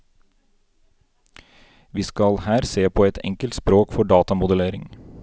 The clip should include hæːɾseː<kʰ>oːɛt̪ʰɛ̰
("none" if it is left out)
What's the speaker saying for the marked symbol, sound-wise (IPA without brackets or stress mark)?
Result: pʰ